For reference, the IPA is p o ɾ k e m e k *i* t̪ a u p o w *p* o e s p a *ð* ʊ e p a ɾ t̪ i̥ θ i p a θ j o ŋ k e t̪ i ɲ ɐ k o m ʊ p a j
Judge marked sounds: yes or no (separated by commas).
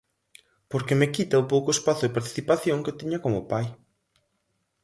yes, no, no